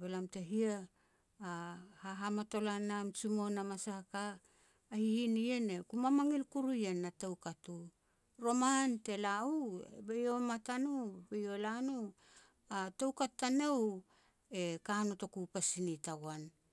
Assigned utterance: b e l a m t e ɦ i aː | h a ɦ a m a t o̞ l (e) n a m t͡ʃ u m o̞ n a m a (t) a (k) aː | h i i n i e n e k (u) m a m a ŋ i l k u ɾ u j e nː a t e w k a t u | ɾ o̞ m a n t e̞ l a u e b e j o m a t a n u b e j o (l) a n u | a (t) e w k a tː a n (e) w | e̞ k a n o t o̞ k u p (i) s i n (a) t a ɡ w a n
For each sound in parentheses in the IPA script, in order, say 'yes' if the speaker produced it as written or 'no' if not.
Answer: no, no, yes, yes, yes, yes, yes, no, no

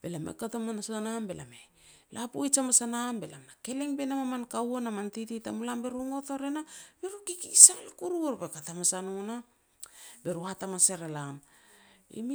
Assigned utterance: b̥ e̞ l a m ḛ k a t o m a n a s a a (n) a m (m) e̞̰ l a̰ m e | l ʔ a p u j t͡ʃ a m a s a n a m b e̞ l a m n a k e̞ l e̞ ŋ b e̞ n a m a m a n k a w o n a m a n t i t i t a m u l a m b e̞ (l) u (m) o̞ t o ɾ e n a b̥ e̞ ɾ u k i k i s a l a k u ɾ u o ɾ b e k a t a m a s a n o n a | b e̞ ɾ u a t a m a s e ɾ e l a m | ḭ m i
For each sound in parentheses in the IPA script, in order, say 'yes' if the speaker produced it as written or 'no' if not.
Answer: yes, no, no, no

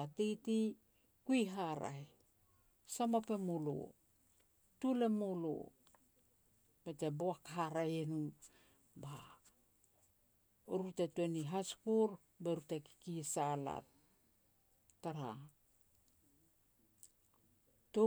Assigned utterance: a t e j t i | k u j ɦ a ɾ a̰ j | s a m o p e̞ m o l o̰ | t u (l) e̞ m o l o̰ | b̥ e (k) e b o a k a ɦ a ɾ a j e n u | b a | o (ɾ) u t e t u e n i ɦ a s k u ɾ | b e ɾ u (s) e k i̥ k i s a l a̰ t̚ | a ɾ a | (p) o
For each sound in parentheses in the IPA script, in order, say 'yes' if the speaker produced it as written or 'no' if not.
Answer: yes, no, yes, no, no

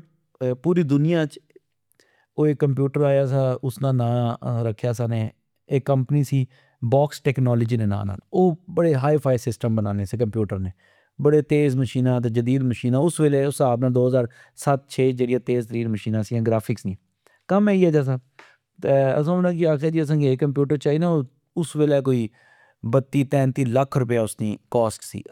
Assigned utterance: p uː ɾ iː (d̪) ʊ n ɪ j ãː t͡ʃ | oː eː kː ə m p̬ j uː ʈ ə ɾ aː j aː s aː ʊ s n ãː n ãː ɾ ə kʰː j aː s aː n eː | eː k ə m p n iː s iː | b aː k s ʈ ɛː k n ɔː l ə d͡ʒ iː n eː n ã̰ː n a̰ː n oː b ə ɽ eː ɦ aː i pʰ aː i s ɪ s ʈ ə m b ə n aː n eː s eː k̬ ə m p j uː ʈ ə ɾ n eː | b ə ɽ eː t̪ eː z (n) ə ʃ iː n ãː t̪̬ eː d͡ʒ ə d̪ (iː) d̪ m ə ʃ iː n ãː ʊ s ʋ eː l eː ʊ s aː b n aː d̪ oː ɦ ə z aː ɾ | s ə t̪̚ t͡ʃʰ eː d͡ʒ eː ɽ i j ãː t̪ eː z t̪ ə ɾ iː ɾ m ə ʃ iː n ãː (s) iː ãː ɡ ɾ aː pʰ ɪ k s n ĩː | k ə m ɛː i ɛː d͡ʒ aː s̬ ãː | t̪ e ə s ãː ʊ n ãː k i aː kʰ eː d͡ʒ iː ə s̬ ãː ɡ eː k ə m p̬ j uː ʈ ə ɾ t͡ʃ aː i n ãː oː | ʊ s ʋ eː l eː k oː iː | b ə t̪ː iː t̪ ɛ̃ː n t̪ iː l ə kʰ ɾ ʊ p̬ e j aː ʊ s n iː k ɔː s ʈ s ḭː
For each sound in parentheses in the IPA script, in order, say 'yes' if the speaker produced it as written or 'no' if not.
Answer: yes, no, yes, yes

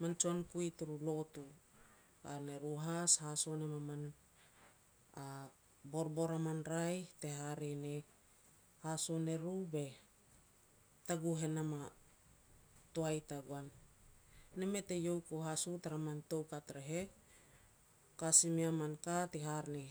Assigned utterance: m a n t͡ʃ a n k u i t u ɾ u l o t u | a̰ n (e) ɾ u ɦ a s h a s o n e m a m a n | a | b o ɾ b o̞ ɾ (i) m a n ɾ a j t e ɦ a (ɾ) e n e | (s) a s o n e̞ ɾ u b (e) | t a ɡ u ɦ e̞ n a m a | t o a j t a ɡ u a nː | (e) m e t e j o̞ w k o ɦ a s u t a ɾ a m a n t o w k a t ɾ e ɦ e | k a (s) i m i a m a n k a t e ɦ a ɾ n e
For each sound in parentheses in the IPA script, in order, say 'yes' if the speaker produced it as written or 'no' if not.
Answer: yes, no, yes, no, yes, yes, yes

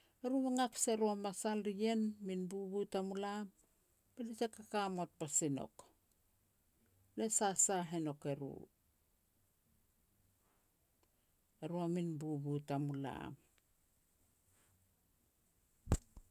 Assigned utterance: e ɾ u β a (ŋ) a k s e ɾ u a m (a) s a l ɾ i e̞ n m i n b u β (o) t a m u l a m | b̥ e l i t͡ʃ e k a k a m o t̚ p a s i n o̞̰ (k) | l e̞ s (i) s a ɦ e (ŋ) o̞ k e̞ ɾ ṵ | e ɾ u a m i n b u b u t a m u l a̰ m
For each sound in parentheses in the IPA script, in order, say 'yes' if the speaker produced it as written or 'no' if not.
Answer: yes, yes, no, yes, no, no

